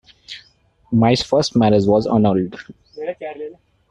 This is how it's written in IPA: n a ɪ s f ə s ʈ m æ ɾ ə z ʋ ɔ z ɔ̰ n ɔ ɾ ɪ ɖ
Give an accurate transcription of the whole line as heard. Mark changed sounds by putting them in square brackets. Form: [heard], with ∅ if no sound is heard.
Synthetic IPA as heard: [m] a ɪ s f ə s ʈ m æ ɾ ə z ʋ ɔ z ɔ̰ n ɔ ɾ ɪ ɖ